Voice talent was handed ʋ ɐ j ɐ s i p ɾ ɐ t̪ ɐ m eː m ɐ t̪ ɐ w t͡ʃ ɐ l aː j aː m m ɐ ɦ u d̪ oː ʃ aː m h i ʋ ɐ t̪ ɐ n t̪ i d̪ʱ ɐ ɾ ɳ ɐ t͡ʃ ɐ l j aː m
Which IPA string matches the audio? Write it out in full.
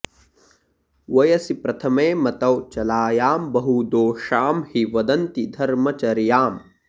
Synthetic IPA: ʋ ɐ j ɐ s i p ɾ ɐ t̪ʰ ɐ m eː m ɐ t̪ ɐ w t͡ʃ ɐ l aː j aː m b ɐ ɦ u d̪ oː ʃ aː m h i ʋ ɐ d̪ ɐ n t̪ i d̪ʱ ɐ ɾ m ɐ t͡ʃ ɐ ɾ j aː m